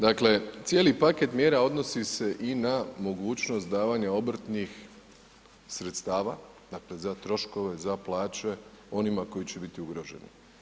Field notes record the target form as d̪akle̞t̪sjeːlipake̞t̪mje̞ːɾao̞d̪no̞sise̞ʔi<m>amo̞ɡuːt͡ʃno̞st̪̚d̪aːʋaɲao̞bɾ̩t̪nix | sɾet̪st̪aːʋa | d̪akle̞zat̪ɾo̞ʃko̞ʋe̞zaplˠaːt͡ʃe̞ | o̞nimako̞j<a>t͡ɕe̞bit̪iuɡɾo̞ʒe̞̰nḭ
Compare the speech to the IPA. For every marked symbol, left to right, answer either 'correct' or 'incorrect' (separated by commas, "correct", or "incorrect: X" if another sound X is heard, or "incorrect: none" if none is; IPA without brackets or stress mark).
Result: incorrect: n, incorrect: i